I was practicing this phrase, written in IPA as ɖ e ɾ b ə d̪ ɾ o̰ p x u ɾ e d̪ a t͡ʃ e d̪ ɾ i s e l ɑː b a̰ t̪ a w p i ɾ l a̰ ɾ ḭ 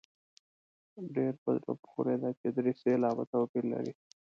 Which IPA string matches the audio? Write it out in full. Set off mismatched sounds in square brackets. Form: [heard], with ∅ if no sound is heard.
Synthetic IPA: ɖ e ɾ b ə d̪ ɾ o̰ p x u ɾ e d̪ a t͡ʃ e d̪ ɾ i s e l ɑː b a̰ t̪ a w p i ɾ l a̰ ɾ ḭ